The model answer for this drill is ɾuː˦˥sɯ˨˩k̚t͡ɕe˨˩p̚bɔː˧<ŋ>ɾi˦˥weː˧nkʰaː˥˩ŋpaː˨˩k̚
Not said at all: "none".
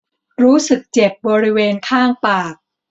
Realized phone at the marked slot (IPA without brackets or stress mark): none